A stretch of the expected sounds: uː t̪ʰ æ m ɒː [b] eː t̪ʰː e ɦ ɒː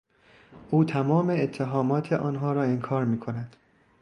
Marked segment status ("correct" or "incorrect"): incorrect